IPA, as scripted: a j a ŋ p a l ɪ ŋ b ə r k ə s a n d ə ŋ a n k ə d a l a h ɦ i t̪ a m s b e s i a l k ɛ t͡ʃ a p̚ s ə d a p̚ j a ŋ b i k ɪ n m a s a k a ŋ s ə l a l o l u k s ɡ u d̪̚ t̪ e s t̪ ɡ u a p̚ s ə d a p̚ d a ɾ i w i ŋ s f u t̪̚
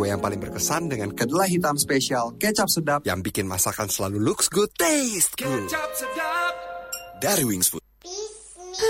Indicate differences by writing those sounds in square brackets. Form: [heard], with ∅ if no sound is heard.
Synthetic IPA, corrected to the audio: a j a ŋ p a l ɪ ŋ b ə r k ə s a n d ə ŋ a n k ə d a l a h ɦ i t̪ a m s [p] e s i a l k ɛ t͡ʃ a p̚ s ə d a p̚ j a ŋ b i k ɪ n m a s a k a [n] s ə l a l [u] l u k s ɡ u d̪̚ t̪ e s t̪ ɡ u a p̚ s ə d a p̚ d a ɾ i w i ŋ s f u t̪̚